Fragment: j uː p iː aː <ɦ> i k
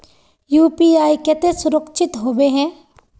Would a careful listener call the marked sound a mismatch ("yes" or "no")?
yes